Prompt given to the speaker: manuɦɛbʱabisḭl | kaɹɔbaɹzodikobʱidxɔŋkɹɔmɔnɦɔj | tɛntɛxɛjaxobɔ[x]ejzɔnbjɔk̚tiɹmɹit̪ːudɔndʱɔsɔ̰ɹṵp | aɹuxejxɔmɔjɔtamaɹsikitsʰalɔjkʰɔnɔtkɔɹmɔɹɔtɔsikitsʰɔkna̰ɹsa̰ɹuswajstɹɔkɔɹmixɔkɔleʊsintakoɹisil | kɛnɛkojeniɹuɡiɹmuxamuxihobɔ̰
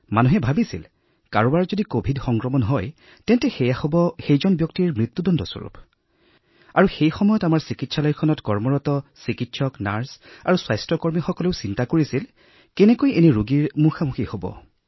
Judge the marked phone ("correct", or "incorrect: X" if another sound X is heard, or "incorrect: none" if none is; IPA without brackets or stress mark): correct